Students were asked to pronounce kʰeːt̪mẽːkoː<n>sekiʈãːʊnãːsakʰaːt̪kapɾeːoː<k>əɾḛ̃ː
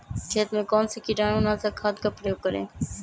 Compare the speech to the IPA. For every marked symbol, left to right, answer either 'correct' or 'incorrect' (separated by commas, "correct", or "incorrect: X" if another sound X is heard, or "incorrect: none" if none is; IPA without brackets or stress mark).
correct, correct